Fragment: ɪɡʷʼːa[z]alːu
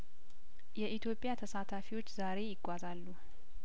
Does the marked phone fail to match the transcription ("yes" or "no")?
no